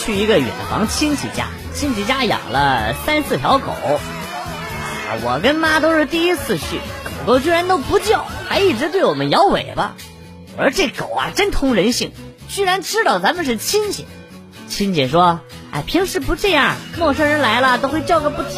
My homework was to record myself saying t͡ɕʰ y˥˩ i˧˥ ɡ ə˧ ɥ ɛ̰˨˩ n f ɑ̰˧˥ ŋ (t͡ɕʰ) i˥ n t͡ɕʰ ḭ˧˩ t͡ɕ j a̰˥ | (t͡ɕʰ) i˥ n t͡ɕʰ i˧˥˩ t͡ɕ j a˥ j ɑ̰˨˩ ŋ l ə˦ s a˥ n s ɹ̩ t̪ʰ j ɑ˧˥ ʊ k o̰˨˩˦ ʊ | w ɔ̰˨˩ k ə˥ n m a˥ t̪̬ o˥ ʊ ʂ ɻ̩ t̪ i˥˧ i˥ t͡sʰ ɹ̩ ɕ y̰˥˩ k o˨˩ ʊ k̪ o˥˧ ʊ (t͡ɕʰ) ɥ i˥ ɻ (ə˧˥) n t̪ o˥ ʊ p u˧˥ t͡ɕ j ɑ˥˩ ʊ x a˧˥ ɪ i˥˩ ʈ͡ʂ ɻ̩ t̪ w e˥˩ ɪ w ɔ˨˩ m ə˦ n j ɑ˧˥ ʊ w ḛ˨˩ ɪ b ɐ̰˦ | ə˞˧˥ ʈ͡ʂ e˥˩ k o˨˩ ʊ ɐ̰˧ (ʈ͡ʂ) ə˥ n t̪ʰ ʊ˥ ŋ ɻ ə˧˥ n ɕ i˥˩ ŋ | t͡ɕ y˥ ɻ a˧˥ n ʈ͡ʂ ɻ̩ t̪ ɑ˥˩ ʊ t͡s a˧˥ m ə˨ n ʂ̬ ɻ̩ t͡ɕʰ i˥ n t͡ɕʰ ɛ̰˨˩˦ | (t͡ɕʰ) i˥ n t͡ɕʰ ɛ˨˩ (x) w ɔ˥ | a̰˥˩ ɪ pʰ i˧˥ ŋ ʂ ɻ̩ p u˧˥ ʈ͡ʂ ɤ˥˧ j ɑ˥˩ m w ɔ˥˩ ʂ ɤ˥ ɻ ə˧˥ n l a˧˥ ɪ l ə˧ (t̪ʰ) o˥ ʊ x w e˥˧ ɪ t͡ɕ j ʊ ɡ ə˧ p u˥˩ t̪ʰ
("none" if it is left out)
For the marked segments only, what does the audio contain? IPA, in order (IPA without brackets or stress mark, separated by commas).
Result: t͡ɕʰ, t͡ɕʰ, t͡ɕ, a˧˥, ʈ͡ʂ, t͡ɕʰ, ʂ, t̪